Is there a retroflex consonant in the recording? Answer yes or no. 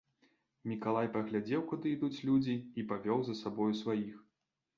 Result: no